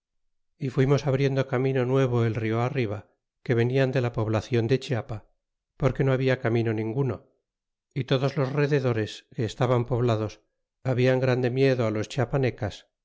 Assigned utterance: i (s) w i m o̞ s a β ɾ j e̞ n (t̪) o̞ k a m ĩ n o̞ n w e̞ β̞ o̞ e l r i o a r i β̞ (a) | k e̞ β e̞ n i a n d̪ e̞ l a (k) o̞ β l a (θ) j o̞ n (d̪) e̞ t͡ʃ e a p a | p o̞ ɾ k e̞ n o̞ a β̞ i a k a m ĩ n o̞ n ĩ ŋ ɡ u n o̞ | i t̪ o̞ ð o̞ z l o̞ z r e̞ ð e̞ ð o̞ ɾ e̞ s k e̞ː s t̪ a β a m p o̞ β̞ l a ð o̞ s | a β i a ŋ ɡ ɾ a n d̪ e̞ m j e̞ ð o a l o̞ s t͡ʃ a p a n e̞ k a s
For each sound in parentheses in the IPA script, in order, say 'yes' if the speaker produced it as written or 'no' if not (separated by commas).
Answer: no, no, yes, no, yes, yes